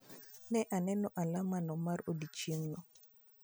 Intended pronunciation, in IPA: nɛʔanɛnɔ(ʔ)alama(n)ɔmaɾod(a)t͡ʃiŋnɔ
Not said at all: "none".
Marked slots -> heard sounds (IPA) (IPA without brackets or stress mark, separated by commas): ʔ, n, i